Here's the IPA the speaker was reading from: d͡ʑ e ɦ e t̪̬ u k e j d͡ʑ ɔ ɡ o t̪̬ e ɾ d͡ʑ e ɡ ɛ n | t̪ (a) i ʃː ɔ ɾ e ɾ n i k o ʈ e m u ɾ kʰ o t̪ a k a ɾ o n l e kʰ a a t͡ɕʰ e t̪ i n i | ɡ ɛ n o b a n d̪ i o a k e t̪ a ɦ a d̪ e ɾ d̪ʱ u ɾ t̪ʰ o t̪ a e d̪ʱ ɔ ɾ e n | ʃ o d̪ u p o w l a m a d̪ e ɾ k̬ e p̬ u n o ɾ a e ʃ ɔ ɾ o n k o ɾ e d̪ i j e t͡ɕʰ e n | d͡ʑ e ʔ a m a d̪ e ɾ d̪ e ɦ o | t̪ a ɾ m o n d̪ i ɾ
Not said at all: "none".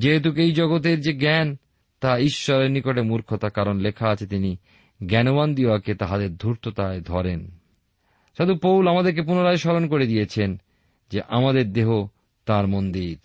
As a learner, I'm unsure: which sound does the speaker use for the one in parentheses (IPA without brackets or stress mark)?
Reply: a